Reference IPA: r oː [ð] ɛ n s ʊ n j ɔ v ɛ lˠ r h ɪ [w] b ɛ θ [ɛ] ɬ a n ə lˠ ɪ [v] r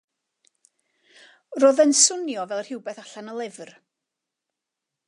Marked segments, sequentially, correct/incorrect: correct, correct, incorrect: a, correct

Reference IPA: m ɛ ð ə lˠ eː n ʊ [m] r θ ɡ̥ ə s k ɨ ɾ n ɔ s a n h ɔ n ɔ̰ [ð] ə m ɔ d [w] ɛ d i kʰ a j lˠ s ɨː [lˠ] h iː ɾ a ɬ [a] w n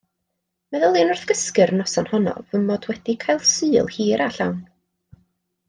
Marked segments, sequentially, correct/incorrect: incorrect: none, incorrect: v, correct, correct, correct

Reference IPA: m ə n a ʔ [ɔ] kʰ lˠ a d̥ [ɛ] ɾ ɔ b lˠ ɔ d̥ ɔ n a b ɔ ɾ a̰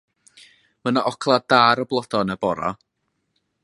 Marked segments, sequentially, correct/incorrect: correct, incorrect: a

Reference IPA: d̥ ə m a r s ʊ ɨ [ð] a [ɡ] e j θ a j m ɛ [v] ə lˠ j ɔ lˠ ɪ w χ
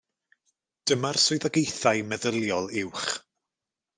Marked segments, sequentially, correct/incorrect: correct, correct, incorrect: ð

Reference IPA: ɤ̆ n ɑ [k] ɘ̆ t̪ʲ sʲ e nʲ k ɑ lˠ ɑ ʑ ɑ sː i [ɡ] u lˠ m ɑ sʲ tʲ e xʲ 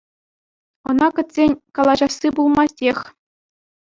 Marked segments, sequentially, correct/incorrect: correct, incorrect: b

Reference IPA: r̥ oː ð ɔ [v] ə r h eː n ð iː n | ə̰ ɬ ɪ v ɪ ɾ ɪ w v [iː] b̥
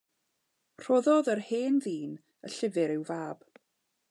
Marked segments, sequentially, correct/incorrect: incorrect: ð, incorrect: aː

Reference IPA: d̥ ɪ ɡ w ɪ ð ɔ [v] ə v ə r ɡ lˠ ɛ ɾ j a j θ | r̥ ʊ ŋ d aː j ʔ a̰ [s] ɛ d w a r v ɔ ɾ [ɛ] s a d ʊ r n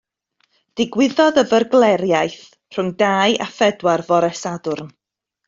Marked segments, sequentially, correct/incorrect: incorrect: ð, incorrect: f, correct

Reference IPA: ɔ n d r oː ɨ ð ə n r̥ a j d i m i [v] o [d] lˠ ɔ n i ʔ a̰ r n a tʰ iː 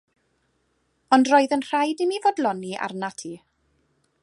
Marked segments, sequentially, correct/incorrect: correct, correct

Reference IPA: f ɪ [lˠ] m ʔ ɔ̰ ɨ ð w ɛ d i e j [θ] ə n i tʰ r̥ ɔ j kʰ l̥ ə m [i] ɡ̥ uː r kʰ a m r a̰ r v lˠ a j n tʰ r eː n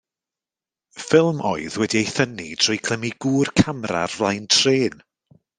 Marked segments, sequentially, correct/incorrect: correct, correct, correct

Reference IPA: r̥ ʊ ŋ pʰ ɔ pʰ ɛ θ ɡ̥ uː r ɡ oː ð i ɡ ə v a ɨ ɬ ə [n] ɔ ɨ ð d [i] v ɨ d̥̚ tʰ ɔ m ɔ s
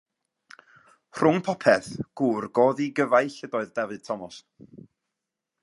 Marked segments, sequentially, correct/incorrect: incorrect: d, incorrect: ɛ

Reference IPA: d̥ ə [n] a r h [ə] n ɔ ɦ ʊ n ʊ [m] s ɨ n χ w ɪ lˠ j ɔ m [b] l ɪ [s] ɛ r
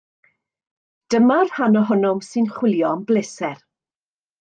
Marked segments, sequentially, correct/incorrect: incorrect: m, incorrect: a, correct, correct, correct

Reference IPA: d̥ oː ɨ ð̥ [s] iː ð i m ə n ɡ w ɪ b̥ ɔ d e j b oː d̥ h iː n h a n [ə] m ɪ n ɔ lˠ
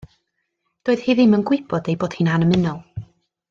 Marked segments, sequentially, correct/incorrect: incorrect: h, correct

